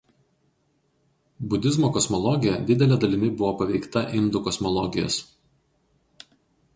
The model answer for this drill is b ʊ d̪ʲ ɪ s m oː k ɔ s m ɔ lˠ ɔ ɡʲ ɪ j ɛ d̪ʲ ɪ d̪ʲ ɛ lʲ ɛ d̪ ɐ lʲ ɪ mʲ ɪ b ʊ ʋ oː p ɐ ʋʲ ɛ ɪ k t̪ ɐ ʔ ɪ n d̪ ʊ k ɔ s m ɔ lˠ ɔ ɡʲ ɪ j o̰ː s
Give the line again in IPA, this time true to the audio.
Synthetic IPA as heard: b ʊ d̪ʲ ɪ z m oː k ɔ s m ɔ lˠ ɔ ɡʲ ɪ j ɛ d̪ʲ ɪ d̪ʲ ɛ lʲ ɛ d̪ ɐ lʲ ɪ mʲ ɪ b ʊ ʋ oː p ɐ ʋʲ ɛ ɪ k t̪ ɐ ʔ ɪ n d̪ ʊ k ɔ s m ɔ lˠ ɔ ɡʲ ɪ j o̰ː s